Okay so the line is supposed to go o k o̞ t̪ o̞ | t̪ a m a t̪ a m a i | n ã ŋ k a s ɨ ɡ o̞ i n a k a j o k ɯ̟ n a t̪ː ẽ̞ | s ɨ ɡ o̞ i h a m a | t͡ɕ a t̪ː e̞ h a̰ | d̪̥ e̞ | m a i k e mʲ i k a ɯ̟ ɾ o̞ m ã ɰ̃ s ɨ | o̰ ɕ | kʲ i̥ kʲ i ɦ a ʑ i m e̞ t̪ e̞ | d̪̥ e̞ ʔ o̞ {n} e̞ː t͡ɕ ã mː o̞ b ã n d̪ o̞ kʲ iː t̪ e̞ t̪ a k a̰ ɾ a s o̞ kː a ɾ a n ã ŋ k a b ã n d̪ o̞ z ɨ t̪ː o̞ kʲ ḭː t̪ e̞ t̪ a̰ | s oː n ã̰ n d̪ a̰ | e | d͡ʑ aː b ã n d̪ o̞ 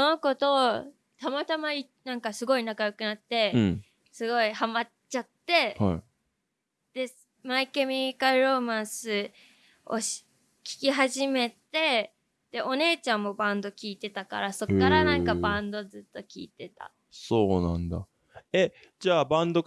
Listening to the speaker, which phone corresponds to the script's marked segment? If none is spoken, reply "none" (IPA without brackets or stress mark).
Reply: n